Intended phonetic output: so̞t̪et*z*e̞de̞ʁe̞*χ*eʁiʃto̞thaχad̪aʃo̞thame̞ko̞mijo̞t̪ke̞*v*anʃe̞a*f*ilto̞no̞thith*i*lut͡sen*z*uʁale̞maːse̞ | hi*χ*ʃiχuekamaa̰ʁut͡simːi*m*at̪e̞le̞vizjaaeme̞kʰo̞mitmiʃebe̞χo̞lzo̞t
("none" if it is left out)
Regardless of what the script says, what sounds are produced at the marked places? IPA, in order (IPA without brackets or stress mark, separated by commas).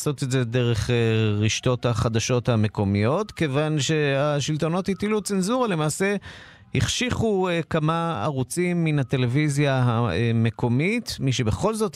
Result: z, χ, v, ʃ, i, z, χ, n